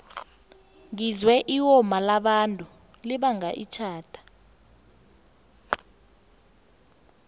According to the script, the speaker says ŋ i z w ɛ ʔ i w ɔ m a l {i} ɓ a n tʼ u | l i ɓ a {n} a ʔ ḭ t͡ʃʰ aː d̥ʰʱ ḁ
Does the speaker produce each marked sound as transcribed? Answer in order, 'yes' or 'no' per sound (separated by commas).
no, no